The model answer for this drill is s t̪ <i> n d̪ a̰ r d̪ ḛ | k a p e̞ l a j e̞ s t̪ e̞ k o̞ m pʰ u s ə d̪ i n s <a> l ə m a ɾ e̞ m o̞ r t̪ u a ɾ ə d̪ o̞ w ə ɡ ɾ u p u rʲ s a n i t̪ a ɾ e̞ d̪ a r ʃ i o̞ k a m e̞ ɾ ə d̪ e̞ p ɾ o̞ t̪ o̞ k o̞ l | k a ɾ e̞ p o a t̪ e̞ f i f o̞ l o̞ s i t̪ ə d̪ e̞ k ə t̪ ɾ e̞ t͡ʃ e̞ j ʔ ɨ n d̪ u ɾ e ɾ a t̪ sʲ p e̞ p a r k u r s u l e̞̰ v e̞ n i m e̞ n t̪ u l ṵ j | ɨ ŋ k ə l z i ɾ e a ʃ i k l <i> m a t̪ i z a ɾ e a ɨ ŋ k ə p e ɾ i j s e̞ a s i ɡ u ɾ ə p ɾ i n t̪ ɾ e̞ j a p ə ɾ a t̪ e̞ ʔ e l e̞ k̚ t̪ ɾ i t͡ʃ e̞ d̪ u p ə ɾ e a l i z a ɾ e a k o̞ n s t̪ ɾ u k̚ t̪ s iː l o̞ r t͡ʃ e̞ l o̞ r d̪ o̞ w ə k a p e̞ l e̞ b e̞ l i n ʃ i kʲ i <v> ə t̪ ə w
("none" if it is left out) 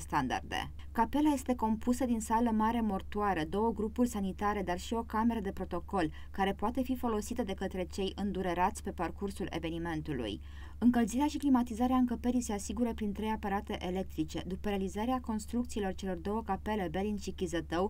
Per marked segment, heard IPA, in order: a, a, i, z

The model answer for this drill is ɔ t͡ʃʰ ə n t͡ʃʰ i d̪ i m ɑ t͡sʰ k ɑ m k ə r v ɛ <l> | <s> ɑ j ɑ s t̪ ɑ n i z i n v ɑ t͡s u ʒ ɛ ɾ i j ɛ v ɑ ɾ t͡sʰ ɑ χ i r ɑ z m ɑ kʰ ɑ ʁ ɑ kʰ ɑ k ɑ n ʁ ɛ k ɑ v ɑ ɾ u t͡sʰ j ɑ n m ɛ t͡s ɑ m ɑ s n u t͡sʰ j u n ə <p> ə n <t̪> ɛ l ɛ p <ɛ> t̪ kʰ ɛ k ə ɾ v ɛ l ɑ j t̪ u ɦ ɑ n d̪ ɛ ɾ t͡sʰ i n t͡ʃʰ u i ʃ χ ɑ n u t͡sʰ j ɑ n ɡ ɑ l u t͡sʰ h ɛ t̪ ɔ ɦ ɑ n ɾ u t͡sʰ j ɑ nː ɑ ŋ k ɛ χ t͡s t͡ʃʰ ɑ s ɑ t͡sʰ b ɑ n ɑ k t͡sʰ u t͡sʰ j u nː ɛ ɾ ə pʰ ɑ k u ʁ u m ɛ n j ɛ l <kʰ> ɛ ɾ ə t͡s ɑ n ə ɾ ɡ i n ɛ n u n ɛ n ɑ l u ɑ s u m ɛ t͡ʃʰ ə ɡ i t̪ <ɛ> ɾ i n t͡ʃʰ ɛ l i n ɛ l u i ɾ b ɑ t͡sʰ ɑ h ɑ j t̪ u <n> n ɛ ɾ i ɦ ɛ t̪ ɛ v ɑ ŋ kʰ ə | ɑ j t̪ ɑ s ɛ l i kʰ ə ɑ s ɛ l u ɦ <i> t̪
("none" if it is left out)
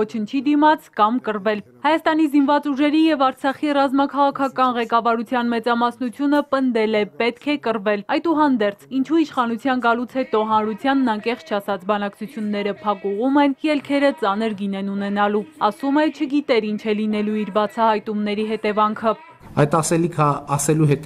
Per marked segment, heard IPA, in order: l, h, p, d̪, ɛ, kʰ, ɛ, m, ɛ

